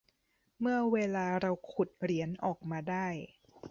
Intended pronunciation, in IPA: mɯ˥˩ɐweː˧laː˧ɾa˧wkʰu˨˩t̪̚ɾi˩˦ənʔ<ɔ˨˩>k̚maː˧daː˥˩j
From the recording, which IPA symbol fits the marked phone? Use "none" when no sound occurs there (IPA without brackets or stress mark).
ɔː˨˩